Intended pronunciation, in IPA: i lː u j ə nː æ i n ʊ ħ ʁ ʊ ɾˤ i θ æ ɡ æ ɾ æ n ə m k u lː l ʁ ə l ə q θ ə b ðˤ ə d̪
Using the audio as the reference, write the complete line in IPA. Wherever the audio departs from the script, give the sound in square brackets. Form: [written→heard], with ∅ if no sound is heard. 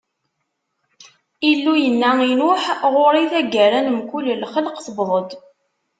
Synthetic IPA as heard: i lː u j ə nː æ i n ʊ ħ ʁ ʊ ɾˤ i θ æ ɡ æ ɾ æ n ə m k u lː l [ʁ→χ] ə l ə q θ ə b ðˤ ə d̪